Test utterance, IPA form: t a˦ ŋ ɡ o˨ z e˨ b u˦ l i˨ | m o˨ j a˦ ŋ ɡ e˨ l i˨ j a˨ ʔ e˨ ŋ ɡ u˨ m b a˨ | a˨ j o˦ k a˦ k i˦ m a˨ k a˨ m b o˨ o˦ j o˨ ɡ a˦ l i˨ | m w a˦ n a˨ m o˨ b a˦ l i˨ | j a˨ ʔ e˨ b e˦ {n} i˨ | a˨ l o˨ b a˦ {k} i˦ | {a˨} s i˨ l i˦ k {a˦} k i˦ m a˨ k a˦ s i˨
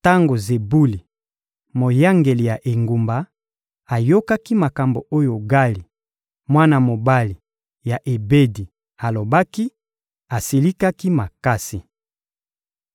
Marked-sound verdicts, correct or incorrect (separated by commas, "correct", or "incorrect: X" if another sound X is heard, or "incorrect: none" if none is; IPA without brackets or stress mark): incorrect: d, correct, correct, correct